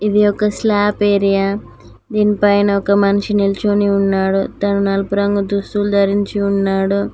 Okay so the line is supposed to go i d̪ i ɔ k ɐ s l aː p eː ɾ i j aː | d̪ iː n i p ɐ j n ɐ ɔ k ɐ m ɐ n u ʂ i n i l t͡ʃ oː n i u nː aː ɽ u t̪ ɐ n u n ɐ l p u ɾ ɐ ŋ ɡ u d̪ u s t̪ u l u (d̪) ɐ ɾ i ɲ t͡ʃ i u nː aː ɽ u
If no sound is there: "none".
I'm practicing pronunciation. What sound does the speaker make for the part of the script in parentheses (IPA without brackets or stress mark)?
d̪